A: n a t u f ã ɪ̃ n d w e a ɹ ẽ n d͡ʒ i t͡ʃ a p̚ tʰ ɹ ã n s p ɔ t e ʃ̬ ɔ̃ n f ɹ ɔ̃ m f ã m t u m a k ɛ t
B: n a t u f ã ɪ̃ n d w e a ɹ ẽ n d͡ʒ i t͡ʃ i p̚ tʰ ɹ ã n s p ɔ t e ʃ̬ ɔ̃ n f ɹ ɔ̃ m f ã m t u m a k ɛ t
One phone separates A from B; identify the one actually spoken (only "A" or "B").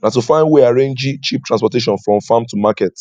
B